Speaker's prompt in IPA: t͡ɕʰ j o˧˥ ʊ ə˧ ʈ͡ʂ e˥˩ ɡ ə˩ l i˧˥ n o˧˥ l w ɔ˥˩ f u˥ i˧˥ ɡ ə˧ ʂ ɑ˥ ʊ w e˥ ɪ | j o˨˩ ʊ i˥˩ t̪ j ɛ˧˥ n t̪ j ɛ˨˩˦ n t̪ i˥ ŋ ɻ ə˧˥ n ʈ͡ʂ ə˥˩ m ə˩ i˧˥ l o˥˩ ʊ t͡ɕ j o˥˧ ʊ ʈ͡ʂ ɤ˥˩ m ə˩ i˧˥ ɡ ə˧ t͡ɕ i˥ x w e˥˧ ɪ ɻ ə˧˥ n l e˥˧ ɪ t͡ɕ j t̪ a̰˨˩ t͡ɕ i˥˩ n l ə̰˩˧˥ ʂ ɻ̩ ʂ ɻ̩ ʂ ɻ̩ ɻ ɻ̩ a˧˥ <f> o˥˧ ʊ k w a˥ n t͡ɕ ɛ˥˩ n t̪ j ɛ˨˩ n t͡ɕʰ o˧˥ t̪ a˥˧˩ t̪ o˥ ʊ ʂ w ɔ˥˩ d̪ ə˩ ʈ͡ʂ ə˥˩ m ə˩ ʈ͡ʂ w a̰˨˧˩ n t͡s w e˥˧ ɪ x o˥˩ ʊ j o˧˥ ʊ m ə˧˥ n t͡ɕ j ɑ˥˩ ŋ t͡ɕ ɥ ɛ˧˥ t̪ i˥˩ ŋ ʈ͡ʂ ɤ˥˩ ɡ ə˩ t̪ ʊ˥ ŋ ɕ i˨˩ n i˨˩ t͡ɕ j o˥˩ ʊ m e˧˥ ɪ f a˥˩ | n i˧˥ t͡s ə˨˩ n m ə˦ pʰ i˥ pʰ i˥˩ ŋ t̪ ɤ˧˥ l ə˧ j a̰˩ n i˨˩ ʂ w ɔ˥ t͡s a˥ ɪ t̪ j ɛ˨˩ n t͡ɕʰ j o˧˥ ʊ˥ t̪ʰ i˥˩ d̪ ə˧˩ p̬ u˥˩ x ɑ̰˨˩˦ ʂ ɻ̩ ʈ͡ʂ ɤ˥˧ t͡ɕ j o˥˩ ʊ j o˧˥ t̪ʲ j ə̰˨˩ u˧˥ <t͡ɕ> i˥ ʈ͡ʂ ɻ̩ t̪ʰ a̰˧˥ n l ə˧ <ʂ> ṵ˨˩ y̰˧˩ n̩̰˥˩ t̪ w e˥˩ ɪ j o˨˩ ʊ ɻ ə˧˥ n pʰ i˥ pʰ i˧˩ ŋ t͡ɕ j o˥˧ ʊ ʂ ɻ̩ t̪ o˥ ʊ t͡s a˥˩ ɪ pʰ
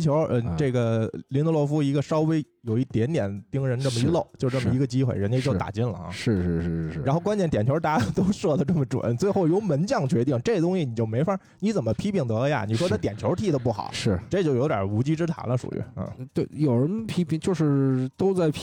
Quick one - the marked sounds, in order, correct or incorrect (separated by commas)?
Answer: incorrect, correct, correct